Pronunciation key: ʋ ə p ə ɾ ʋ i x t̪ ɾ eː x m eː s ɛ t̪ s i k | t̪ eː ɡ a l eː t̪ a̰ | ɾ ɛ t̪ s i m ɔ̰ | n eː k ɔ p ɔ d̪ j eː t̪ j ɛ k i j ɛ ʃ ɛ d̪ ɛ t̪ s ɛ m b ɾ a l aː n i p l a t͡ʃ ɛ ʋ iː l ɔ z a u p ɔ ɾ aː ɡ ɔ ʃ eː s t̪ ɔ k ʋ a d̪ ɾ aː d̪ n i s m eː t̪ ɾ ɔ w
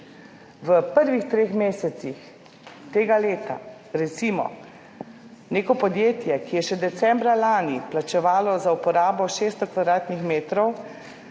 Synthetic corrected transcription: ʋ ə p ə ɾ ʋ i x t̪ ɾ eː x m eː s ɛ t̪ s i x | t̪ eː ɡ a l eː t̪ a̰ | ɾ ɛ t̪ s i m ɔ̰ | n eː k ɔ p ɔ d̪ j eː t̪ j ɛ k i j ɛ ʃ ɛ d̪ ɛ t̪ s ɛ m b ɾ a l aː n i p l a t͡ʃ ɛ ʋ aː l ɔ z a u p ɔ ɾ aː b ɔ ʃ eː s t̪ ɔ k ʋ a d̪ ɾ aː t̪ n i x m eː t̪ ɾ ɔ w

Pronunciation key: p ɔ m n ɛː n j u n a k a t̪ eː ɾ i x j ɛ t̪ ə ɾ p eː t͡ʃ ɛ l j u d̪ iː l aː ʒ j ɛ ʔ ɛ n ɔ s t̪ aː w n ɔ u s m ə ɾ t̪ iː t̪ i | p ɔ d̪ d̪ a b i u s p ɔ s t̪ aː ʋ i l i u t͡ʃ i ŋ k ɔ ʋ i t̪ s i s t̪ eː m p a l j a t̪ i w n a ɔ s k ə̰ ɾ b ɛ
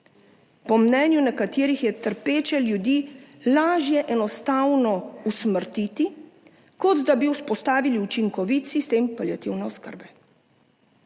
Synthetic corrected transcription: p ɔ m n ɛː n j u n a k a t̪ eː ɾ i x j ɛ t̪ ə ɾ p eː t͡ʃ ɛ l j u d̪ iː l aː ʒ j ɛ ʔ ɛ n ɔ s t̪ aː w n ɔ u s m ə ɾ t̪ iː t̪ i | k ɔ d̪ d̪ a b i u s p ɔ s t̪ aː ʋ i l i u t͡ʃ i ŋ k ɔ ʋ i t̪ s i s t̪ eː m p a l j a t̪ i w n ɛ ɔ s k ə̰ ɾ b ɛ

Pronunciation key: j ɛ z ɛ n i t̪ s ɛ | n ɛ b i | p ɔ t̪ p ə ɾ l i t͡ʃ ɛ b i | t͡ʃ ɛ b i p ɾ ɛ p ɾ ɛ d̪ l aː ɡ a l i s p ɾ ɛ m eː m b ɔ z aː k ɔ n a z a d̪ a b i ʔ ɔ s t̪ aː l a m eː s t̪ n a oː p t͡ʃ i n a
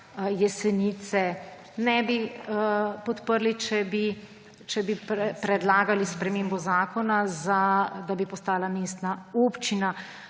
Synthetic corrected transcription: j ɛ s ɛ n i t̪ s ɛ | n ɛ b i | p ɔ t̪ p ə ɾ l i t͡ʃ ɛ b i | t͡ʃ ɛ b i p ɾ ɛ p ɾ ɛ d̪ l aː ɡ a l i s p ɾ ɛ m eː m b ɔ z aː k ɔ n a z a d̪ a b i p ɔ s t̪ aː l a m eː s t̪ n a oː p t͡ʃ i n a

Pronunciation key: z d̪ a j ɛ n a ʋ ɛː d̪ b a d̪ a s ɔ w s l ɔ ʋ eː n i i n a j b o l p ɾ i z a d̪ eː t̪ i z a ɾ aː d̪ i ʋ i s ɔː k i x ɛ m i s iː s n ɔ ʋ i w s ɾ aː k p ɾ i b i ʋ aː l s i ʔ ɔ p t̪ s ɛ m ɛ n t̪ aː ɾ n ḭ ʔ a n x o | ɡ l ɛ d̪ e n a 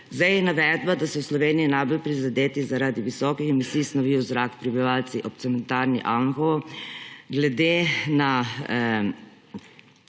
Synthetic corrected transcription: z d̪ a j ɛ n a ʋ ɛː d̪ b a d̪ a s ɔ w s l ɔ ʋ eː n i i n a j b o l p ɾ i z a d̪ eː t̪ i z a ɾ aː d̪ i ʋ i s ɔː k i x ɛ m i s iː s n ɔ ʋ i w z ɾ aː k p ɾ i b i ʋ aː l s i ʔ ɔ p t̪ s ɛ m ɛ n t̪ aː ɾ n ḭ ʔ a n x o | ɡ l ɛ d̪ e n a

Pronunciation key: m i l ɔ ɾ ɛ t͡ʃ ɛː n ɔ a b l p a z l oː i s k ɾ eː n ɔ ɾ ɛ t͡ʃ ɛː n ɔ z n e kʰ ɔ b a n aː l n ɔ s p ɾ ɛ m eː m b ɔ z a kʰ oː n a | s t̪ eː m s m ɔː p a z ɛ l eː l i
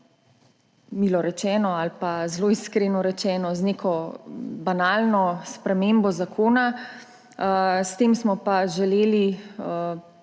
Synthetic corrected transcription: m i l ɔ ɾ ɛ t͡ʃ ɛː n ɔ a l p a z l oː i s k ɾ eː n ɔ ɾ ɛ t͡ʃ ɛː n ɔ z n e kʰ ɔ b a n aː l n ɔ s p ɾ ɛ m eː m b ɔ z a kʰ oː n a | s t̪ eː m s m ɔ p a ʒ ɛ l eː l i

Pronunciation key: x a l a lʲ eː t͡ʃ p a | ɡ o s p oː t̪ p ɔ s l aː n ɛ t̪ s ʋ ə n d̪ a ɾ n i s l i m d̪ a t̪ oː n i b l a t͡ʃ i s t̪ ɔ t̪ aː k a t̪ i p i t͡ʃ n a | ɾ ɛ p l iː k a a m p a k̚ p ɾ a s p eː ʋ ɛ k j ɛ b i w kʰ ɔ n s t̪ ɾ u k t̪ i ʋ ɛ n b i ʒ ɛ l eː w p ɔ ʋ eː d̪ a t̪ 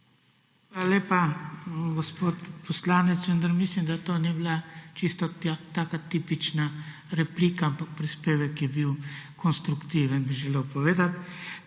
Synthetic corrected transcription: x a l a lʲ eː p a | ɡ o s p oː t̪ p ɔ s l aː n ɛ t̪ s ʋ ə n d̪ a ɾ m i s l i m d̪ a t̪ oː n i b l a t͡ʃ i s t̪ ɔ t̪ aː k a t̪ i p i t͡ʃ n a | ɾ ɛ p l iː k a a m p a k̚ p ɾ i s p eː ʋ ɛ k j ɛ b i w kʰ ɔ n s t̪ ɾ u k t̪ i ʋ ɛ n b i ʒ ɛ l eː w p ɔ ʋ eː d̪ a t̪

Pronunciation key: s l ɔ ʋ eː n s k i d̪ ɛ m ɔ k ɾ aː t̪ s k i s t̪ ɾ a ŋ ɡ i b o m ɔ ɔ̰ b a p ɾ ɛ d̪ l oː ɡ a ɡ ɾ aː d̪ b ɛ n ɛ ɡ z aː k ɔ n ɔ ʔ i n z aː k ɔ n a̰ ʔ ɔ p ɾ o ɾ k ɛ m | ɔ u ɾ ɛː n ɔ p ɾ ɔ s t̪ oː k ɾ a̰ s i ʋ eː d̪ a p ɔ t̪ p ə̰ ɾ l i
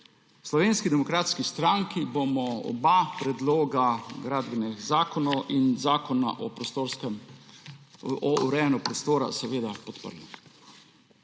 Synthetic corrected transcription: s l ɔ ʋ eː n s k i d̪ ɛ m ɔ k ɾ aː t̪ s k i s t̪ ɾ a ŋ k i b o m ɔ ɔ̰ b a p ɾ ɛ d̪ l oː ɡ a ɡ ɾ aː d̪ b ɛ n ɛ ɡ z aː k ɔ n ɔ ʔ i n z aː k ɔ n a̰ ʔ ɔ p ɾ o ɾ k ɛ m | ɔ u ɾ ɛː n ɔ p ɾ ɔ s t̪ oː ɾ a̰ s ɛ ʋ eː d̪ a p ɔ t̪ p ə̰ ɾ l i

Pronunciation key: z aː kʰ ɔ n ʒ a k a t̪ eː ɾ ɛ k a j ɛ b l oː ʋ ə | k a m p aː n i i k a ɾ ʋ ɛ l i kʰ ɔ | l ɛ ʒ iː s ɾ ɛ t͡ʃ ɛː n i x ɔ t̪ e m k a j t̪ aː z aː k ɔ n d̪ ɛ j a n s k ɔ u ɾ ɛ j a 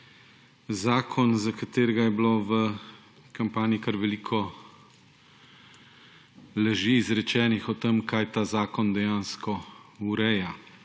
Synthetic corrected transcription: z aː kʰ ɔ n z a k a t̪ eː ɾ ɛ ɡ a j ɛ b l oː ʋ ə | k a m p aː n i i k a ɾ ʋ ɛ l i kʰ ɔ | l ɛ ʒ iː z ɾ ɛ t͡ʃ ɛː n i x ɔ t̪ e m k a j t̪ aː z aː k ɔ n d̪ ɛ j a n s k ɔ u ɾ ɛ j a

